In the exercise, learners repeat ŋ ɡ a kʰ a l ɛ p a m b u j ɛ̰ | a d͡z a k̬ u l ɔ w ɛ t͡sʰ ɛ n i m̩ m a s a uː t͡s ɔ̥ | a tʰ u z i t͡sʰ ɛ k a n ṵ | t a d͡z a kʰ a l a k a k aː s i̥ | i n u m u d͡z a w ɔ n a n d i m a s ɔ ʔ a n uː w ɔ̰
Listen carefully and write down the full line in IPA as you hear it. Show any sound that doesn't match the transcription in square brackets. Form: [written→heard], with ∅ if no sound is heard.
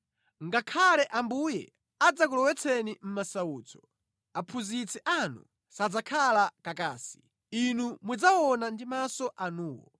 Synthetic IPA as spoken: ŋ ɡ a kʰ a l ɛ [p→ʔ] a m b u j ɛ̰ | a d͡z a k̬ u l ɔ w ɛ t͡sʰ ɛ n i m̩ m a s a uː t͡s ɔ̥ | a [tʰ→pʰ] u z i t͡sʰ ɛ [k→ʔ] a n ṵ | [t→s] a d͡z a kʰ a l a k a k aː s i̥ | i n u m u d͡z a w ɔ n a n d i m a s ɔ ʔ a n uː w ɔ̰